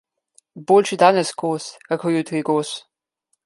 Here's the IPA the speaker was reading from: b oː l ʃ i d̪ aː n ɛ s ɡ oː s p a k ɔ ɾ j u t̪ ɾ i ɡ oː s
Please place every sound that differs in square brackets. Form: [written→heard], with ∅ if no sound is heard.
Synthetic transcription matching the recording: b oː l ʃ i d̪ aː n ɛ s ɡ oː s [p→k] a k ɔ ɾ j u t̪ ɾ i ɡ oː s